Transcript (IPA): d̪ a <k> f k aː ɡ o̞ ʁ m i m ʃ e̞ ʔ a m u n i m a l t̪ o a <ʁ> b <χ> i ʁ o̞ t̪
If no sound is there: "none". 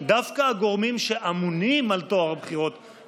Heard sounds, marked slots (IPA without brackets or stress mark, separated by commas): none, ʁ, χ